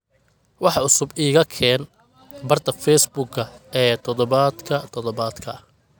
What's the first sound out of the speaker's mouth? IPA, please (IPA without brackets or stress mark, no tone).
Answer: w